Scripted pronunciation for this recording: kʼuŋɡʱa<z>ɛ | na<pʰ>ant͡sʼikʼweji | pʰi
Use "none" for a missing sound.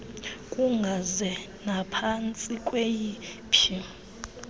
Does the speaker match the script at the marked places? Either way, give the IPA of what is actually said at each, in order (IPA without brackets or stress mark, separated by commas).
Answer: z, pʰ